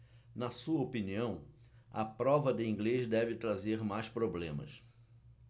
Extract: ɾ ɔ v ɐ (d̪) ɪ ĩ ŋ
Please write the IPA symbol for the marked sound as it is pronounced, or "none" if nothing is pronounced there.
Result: d̪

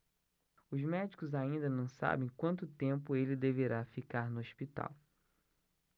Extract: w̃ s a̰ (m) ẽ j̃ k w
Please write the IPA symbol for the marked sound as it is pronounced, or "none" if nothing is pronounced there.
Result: b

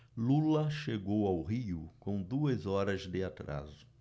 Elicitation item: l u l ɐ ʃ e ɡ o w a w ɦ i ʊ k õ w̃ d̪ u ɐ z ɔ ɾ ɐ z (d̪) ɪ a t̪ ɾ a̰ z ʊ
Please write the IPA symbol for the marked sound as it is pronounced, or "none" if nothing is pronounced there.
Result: d̪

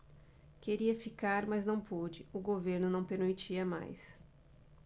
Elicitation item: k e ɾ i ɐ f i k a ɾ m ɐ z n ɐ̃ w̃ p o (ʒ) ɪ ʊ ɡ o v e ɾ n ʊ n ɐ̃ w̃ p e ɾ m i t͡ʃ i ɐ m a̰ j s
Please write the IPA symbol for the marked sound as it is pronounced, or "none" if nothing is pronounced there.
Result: d͡ʒ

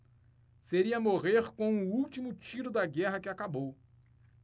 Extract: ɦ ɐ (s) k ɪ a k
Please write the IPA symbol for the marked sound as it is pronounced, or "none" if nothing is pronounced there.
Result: none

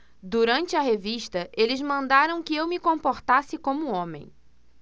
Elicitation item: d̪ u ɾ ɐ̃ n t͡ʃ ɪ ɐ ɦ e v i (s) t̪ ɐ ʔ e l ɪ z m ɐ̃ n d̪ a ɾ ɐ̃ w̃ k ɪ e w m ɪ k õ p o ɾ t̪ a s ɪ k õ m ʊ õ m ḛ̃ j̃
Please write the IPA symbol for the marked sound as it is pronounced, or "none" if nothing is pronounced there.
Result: ʃ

